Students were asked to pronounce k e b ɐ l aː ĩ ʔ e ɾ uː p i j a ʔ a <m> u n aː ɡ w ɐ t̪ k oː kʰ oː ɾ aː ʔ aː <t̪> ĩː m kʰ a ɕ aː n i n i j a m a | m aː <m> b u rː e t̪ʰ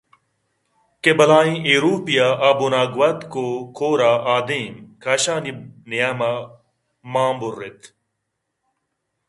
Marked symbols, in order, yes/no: no, no, yes

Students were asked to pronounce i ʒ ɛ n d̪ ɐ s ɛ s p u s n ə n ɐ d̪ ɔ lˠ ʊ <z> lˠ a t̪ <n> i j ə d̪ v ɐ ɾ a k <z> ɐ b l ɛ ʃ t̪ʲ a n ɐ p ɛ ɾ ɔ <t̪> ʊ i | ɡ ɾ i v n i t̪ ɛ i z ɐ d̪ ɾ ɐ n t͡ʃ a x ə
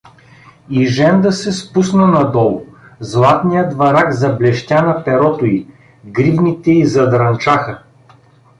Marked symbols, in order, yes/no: yes, yes, yes, yes

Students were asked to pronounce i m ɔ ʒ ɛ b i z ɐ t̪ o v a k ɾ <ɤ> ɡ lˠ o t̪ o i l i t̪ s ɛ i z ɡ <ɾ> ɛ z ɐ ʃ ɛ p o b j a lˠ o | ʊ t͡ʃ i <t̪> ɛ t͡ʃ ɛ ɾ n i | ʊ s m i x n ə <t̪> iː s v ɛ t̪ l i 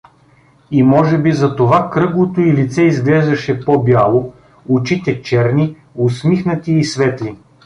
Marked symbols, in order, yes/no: yes, no, yes, yes

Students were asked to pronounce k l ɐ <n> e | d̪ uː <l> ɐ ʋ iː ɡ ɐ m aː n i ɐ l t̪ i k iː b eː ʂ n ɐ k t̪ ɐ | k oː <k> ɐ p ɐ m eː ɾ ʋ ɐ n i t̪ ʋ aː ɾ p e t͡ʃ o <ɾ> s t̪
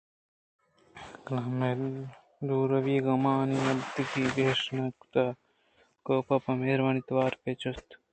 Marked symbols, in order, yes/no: no, no, no, no

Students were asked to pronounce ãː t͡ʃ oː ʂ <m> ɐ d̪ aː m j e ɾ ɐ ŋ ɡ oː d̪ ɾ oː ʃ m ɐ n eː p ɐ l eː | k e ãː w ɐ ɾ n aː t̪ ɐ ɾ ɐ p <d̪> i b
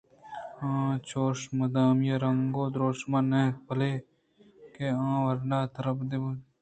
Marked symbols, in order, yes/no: yes, yes

